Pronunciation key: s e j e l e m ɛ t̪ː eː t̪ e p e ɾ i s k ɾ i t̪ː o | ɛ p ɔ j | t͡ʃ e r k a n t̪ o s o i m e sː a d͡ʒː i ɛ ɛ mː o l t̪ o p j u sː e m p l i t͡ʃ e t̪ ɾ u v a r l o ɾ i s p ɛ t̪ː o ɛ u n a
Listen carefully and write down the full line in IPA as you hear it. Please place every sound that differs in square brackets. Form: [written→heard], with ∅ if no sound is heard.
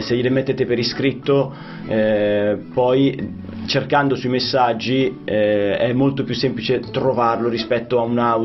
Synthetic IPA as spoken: s e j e l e m [ɛ→e] t̪ː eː t̪ e p e ɾ i s k ɾ i t̪ː o | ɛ p ɔ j | t͡ʃ e r k a n [t̪→d̪] o s [o→u] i m e sː a d͡ʒː i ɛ ɛ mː o l t̪ o p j u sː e m p l i t͡ʃ e t̪ ɾ [u→o] v a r l o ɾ i s p ɛ t̪ː o [ɛ→a] u n a